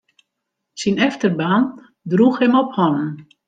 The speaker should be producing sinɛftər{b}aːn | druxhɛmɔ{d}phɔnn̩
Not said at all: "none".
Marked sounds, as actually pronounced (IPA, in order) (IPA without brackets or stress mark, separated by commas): b, none